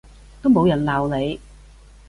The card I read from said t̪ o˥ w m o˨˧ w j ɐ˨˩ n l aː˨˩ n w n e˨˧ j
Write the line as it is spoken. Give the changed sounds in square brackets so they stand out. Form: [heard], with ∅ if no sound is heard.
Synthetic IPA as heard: t̪ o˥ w m o˨˧ w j ɐ˨˩ n l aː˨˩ [∅] w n e˨˧ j